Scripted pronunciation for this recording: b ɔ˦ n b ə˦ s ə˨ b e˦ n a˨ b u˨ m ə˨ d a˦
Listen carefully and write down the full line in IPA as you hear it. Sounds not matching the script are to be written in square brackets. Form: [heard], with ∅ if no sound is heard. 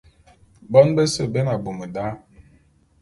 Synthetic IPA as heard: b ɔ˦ n b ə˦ s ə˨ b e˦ n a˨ b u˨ m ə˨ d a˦